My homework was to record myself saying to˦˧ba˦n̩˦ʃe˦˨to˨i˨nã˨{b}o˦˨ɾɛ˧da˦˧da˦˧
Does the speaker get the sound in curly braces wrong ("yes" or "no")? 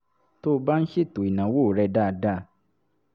yes